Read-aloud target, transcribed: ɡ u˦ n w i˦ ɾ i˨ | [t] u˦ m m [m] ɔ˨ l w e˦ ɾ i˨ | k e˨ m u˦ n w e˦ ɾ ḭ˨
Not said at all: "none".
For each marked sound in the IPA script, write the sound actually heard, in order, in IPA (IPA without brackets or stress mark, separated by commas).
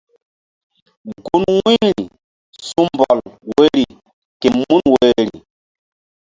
s, b